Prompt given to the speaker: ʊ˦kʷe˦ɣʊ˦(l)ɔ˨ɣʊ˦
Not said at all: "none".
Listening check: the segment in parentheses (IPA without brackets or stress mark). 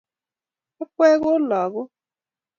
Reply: l